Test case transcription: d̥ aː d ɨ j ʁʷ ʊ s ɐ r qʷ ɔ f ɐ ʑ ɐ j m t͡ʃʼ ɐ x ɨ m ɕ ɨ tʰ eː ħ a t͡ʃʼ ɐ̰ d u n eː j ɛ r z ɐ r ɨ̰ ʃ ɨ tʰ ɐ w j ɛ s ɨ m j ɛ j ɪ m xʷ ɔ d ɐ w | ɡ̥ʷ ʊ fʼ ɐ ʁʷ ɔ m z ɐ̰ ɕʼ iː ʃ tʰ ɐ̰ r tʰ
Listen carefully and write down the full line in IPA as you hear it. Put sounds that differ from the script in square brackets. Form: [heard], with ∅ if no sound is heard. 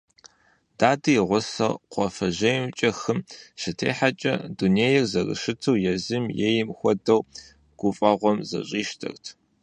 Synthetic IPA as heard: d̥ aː d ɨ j ʁʷ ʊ s ɐ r qʷ ɔ f ɐ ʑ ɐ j m t͡ʃʼ ɐ x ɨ m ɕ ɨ tʰ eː ħ a t͡ʃʼ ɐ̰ d u n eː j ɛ r z ɐ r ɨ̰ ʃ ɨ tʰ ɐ w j ɛ [z] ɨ m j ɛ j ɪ m xʷ ɔ d ɐ w | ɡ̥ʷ ʊ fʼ ɐ ʁʷ ɔ m z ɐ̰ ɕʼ iː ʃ tʰ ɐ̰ r tʰ